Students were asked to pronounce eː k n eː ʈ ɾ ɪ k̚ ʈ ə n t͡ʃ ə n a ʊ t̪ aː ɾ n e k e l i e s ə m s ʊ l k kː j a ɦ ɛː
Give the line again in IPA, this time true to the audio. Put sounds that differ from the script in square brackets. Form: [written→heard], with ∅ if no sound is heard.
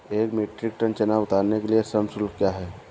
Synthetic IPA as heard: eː k [n→m] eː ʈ ɾ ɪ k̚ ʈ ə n t͡ʃ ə n a ʊ t̪ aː ɾ n e k e l i e s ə m s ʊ l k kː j a ɦ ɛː